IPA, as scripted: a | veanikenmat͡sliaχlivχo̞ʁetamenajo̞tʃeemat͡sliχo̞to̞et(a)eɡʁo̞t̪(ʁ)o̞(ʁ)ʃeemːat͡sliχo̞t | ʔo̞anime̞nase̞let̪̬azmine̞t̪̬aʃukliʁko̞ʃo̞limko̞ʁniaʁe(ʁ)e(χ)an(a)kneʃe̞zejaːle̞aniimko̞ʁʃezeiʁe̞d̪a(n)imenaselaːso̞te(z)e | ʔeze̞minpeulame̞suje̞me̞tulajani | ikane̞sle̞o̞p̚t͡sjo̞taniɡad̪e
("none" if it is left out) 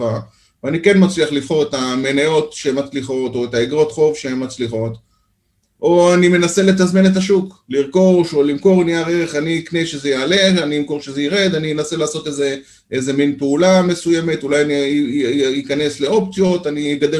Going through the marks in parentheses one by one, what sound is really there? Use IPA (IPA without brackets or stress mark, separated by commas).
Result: a, χ, v, ʁ, χ, i, n, z